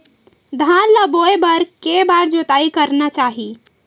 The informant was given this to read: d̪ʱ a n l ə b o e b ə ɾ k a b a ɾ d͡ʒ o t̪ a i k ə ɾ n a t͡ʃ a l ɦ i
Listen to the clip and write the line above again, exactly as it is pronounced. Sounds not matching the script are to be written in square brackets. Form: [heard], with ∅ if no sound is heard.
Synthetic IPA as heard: d̪ʱ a n l ə b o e b ə ɾ k [e] b a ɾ d͡ʒ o t̪ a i k ə ɾ n a t͡ʃ a [∅] ɦ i

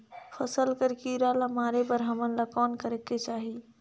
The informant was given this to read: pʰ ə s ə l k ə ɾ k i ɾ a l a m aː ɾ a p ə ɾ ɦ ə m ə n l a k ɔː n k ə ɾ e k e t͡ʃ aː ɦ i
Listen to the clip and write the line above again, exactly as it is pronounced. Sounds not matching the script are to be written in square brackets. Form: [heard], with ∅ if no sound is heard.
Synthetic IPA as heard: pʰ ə s ə l k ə ɾ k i ɾ a l a m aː ɾ [e] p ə ɾ ɦ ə m ə n l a k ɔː n k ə ɾ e k e t͡ʃ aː ɦ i

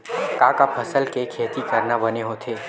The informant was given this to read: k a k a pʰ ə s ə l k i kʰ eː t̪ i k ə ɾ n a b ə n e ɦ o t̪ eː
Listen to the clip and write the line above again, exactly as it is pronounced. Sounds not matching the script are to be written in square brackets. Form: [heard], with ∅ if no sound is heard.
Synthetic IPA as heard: k a k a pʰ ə s ə l k [e] kʰ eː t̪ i k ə ɾ n a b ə n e ɦ o [t̪ʰ] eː

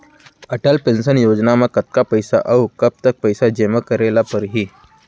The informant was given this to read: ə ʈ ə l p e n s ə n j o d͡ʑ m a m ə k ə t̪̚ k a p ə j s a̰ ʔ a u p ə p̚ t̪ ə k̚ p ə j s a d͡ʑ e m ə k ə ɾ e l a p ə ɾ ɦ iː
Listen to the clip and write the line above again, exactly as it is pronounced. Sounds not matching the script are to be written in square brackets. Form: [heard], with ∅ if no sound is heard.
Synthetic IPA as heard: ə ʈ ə l p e n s ə n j o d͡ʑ [n] a m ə k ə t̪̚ k a p ə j s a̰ ʔ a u [k] ə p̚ t̪ ə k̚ p ə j s a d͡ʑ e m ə k ə ɾ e l a p ə ɾ ɦ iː

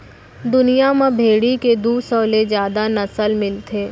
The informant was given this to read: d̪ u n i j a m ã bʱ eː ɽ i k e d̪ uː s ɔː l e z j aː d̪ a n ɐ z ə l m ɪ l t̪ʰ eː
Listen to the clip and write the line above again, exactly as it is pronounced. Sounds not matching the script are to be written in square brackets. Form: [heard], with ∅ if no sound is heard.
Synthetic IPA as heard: d̪ [ʊ] n i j a m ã bʱ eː ɽ i k e d̪ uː s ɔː l e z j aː d̪ a n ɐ [s] ə l m ɪ l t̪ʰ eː

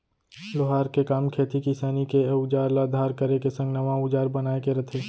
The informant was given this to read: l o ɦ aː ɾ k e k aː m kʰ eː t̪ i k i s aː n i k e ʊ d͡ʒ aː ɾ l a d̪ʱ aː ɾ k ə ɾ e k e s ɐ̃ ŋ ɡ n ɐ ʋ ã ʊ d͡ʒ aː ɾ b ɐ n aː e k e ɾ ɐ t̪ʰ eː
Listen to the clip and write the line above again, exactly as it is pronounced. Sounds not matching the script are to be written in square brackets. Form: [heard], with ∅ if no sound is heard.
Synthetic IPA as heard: l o ɦ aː ɾ k e k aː m kʰ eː t̪ i k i s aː n i k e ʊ d͡ʒ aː ɾ l a d̪ʱ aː ɾ k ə ɾ e k e s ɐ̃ ŋ ɡ n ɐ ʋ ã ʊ d͡ʒ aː ɾ b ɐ n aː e k e ɾ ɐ t̪ʰ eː

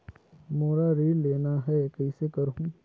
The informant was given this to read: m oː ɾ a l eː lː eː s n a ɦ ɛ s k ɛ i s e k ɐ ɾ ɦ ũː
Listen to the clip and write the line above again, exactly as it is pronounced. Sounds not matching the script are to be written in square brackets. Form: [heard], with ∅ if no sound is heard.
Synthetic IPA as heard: m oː ɾ a [ɾ] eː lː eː [∅] n a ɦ ɛ [∅] k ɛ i s e k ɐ ɾ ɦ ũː

